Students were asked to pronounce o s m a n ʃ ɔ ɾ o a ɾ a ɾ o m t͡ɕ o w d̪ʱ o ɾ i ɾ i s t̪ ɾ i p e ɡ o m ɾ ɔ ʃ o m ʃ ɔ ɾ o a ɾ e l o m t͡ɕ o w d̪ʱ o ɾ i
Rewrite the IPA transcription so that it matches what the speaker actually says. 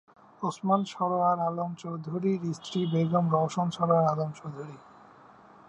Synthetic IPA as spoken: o s m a n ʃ ɔ ɾ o a ɾ a l o m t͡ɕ o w d̪ʱ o ɾ i ɾ i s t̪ ɾ i b e ɡ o m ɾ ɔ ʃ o n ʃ ɔ ɾ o a ɾ a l o m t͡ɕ o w d̪ʱ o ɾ i

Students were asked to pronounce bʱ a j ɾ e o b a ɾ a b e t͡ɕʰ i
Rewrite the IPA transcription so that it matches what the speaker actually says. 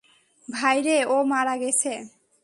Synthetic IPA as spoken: bʱ a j ɾ e o m a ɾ a ɡ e t͡ɕʰ e

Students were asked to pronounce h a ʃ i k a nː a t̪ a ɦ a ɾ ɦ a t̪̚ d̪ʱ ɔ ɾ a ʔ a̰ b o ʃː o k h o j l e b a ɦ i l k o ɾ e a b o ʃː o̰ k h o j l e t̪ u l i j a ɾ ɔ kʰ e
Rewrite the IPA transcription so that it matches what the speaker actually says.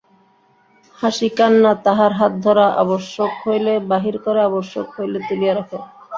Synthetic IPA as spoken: h a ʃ i k a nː a t̪ a ɦ a ɾ ɦ a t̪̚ d̪ʱ ɔ ɾ a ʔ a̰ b o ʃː o k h o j l e b a ɦ i ɾ k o ɾ e a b o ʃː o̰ k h o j l e t̪ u l i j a ɾ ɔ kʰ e

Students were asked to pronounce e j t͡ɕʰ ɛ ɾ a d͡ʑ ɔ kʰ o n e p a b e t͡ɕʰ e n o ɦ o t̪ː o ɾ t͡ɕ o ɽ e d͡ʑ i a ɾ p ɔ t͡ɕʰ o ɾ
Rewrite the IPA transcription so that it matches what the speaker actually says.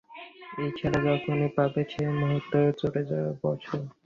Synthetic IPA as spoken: e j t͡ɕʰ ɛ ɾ a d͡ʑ ɔ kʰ o n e p a b e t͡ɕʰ e m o ɦ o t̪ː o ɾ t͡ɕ o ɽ e d͡ʑ a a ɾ b ɔ t͡ɕʰ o ɾ

